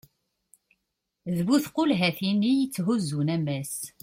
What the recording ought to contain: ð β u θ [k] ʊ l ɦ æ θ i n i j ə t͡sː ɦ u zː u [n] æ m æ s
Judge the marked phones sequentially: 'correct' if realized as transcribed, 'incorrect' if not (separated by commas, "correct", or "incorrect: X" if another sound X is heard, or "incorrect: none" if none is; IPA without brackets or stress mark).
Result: incorrect: q, correct